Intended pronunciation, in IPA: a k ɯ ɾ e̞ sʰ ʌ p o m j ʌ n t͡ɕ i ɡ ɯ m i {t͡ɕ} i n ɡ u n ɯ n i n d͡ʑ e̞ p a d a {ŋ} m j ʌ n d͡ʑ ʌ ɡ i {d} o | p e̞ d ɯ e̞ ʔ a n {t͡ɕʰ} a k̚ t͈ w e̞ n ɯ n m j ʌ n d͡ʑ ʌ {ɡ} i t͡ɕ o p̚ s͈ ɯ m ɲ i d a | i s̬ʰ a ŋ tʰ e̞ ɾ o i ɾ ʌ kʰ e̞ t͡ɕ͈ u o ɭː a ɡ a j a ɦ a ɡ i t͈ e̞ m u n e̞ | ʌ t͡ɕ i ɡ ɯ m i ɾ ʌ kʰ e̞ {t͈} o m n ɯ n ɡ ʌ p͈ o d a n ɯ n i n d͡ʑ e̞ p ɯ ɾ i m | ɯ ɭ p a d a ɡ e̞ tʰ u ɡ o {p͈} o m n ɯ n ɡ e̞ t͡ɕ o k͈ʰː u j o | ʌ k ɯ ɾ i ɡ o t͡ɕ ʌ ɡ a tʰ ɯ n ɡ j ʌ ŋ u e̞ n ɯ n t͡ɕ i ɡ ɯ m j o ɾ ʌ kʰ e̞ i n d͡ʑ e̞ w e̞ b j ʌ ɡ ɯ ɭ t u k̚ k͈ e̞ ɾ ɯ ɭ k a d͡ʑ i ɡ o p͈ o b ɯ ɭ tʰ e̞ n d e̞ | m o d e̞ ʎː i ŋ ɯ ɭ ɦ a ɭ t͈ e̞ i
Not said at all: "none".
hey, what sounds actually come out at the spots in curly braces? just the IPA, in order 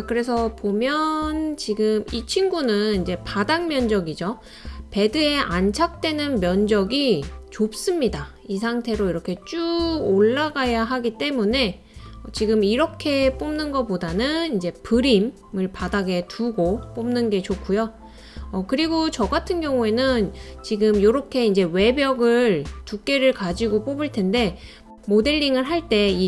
t͡ɕʰ, ŋ, d͡ʑ, t͡ɕʰ, ɡ, p͈, p͈

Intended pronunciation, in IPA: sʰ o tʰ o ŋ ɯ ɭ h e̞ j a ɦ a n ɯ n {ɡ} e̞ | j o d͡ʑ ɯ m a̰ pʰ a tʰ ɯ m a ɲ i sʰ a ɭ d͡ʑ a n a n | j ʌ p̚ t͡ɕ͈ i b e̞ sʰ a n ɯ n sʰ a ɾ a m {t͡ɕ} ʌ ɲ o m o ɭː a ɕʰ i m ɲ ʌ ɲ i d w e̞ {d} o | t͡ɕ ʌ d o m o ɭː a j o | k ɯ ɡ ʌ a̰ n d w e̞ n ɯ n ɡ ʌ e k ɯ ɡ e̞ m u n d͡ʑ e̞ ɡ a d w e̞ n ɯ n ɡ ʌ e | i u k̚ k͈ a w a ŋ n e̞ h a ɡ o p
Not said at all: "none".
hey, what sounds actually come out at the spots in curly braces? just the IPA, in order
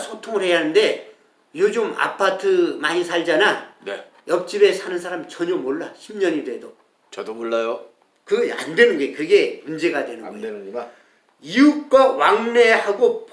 d, t͡ɕ, d

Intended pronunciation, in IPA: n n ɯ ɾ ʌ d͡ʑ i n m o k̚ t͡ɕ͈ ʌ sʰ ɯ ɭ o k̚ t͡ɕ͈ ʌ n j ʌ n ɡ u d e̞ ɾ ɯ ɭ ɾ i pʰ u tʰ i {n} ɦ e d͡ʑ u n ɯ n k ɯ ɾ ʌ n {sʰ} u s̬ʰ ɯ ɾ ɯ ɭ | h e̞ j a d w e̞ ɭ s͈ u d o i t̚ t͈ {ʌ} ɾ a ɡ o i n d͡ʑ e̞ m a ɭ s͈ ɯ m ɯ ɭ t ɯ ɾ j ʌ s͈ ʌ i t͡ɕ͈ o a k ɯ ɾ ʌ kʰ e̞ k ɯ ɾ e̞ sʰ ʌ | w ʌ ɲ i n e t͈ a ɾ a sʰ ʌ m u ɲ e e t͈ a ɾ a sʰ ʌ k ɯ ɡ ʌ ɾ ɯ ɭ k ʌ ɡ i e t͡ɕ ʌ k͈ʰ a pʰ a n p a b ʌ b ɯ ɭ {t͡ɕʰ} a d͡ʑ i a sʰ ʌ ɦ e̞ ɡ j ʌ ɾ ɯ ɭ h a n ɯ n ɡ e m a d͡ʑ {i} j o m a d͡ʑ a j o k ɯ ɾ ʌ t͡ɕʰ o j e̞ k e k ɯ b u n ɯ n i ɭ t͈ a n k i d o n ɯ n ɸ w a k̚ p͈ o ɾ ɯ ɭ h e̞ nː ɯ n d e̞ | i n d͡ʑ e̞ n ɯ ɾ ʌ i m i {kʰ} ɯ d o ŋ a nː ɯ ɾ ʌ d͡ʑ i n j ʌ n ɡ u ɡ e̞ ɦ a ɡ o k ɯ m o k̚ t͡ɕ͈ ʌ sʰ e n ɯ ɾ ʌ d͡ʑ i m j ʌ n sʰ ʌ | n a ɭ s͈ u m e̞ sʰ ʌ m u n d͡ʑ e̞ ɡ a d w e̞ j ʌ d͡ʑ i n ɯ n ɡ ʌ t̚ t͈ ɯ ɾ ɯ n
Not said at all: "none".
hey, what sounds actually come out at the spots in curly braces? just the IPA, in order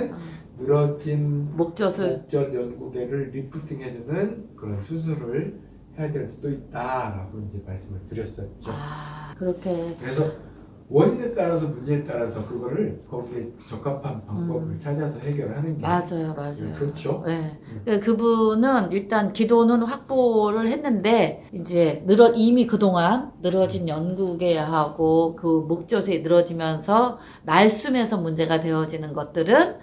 ŋ, sʰ, a, t͡ɕʰ, a, k

